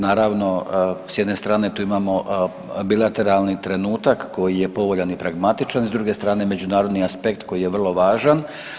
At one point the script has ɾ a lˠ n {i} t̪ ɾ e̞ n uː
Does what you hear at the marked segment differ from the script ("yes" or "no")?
no